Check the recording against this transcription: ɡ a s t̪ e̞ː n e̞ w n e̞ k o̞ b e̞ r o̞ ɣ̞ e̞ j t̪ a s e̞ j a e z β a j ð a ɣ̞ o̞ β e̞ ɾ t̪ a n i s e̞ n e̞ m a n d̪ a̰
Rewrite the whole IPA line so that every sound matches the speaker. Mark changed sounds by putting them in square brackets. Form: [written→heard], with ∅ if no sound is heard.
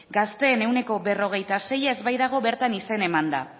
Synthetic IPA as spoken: ɡ a s t̪ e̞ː n e̞ w n e̞ k o̞ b e̞ r o̞ ɣ̞ e̞ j t̪ a s e̞ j a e z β a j ð a ɣ̞ o̞ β e̞ ɾ t̪ a n i s e̞ n e̞ m a n d̪ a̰